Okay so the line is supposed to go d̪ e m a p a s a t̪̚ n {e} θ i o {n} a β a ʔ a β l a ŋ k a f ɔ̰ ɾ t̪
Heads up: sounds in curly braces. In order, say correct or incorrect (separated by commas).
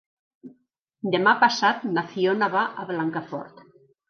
incorrect, correct